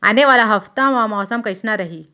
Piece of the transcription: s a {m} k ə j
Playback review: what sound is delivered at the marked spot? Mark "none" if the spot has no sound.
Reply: m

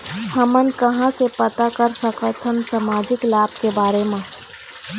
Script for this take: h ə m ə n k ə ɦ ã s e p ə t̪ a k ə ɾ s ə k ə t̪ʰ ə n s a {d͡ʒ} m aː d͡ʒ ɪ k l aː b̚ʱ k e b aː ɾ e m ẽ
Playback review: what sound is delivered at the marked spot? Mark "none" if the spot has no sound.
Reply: none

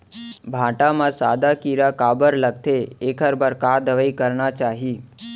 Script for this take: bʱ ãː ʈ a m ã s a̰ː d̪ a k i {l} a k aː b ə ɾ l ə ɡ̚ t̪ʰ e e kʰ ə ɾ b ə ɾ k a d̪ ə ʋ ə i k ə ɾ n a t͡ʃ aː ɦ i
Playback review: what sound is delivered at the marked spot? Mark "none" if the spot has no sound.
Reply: ɾ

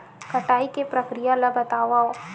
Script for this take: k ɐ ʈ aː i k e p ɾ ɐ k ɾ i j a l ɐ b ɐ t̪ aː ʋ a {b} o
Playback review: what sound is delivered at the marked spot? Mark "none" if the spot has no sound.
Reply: none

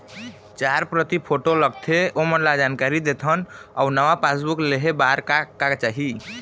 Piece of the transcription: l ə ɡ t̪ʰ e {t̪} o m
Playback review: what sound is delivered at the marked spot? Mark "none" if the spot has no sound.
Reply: none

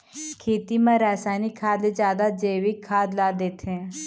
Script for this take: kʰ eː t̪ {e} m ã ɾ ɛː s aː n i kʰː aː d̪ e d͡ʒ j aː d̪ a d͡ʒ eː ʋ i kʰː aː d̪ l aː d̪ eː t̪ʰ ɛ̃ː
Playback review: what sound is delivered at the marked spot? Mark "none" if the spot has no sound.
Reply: i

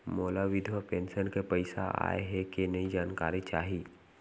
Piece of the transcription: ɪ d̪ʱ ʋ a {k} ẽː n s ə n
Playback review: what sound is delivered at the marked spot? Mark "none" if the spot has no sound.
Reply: p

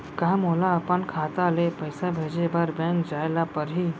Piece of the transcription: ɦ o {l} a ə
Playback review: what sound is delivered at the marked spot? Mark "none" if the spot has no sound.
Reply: l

